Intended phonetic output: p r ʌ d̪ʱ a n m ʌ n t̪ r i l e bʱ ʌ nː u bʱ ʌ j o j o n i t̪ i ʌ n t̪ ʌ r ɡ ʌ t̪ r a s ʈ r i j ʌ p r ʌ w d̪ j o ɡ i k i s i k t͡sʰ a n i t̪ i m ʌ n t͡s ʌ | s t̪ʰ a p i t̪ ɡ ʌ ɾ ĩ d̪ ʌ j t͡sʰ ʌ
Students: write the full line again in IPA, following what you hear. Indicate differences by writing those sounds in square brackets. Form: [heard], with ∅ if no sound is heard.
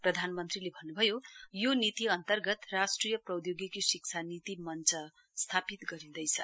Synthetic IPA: p r ʌ d̪ʱ a n m ʌ n t̪ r i l e bʱ ʌ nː u bʱ ʌ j o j o n i t̪ i ʌ n t̪ ʌ r ɡ ʌ t̪ r a s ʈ r i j ʌ p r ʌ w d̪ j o ɡ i k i s i k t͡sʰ a n i t̪ i m ʌ n t͡s ʌ | s t̪ʰ a p i t̪ ɡ ʌ ɾ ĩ d̪ ʌ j t͡sʰ ʌ